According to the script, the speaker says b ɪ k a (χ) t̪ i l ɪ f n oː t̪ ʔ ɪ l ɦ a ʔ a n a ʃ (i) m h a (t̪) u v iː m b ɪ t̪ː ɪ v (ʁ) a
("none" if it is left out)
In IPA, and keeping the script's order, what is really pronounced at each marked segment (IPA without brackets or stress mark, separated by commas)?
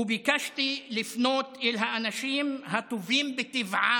ʃ, iː, t̪, ʕ